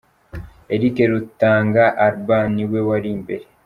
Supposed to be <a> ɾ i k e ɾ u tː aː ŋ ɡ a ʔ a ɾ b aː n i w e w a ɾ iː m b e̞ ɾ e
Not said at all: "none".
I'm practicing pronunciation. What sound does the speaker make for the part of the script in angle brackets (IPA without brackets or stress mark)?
e